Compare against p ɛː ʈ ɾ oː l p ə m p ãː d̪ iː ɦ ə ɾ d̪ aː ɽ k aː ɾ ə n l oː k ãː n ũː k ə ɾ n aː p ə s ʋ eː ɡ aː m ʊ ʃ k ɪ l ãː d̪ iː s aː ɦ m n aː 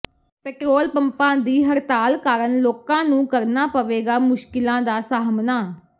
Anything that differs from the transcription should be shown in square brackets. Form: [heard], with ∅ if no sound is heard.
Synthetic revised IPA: p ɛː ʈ ɾ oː l p ə m p ãː d̪ iː ɦ ə ɾ [t̪] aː [l] k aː ɾ ə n l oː k ãː n ũː k ə ɾ n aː p ə [∅] ʋ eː ɡ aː m ʊ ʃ k ɪ l ãː d̪ [aː] s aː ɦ m n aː